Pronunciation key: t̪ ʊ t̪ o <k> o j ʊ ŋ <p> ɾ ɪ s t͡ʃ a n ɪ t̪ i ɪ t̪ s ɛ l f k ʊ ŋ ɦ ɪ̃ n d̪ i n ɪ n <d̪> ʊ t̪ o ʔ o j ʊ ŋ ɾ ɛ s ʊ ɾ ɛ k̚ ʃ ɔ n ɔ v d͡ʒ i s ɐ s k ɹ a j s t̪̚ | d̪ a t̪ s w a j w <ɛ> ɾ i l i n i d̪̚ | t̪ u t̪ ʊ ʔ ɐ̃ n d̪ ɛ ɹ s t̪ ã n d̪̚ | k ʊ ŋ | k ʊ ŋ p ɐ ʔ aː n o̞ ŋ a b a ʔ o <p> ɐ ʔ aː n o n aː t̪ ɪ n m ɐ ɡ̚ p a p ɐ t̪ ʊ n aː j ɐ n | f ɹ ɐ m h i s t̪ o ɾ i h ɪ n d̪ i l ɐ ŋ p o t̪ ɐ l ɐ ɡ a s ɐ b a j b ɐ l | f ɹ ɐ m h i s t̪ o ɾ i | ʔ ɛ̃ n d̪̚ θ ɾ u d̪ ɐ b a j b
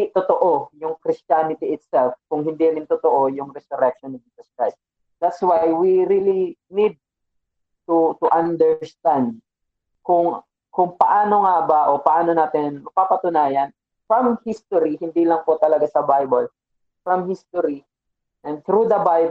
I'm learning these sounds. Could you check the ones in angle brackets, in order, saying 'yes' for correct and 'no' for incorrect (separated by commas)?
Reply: no, no, no, no, yes